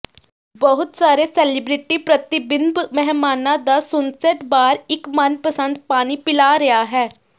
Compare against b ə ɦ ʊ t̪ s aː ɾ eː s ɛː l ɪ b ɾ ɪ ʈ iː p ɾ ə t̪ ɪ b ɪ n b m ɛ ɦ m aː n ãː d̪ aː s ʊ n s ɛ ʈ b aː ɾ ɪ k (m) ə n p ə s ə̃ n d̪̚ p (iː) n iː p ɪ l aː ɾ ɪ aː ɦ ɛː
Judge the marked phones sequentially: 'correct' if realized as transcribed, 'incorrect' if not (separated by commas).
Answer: correct, incorrect